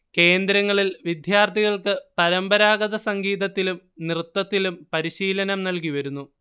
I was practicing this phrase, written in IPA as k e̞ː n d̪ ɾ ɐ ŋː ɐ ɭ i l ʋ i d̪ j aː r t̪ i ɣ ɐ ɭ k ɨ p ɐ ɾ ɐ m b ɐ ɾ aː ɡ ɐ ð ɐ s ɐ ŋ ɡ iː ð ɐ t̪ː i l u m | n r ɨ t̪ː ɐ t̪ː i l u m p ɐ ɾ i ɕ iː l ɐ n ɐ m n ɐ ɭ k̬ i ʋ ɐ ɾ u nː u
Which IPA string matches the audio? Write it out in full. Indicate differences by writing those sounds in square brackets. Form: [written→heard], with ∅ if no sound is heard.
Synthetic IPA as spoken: k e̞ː n d̪ ɾ ɐ ŋː ɐ ɭ i l ʋ i d̪ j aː r t̪ i ɣ ɐ ɭ k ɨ p ɐ ɾ ɐ m b ɐ ɾ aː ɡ ɐ ð ɐ s ɐ ŋ ɡ iː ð ɐ t̪ː i l u m | n r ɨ t̪ː ɐ t̪ː i l u m p ɐ ɾ i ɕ iː l ɐ n ɐ m n ɐ [ɭ→l] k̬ i ʋ ɐ ɾ u nː u